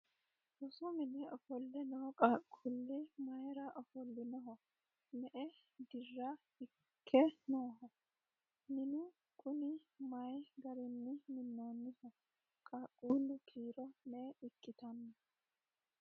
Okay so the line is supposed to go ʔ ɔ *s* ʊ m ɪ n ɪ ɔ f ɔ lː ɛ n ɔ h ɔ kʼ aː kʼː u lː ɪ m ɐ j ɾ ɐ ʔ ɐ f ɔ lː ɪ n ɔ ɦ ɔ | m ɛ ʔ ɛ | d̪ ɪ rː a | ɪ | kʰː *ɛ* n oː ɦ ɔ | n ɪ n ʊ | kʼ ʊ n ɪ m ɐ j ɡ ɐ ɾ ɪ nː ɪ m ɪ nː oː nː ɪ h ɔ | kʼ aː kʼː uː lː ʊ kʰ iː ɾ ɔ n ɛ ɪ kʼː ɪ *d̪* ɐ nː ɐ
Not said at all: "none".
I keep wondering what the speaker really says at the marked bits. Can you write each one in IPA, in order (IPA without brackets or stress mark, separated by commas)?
s, ɛ, t̪